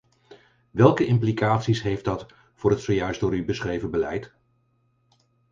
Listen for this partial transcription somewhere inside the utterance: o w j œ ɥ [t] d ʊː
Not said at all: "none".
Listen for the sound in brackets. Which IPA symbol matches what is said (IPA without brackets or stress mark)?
s